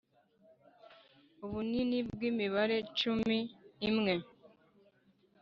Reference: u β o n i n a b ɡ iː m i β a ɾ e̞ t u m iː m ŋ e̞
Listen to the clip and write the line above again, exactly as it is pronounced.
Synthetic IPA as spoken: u β u n i n i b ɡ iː m i β a ɾ e̞ t͡ʃ u m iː m ŋ e̞